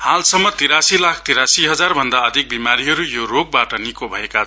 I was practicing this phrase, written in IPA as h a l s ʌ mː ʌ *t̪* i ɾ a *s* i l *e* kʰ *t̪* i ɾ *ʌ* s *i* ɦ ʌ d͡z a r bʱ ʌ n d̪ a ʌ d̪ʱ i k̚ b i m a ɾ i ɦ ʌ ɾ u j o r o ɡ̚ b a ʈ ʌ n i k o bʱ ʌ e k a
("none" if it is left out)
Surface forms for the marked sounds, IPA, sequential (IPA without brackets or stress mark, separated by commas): t̪, s, a, t̪, a, i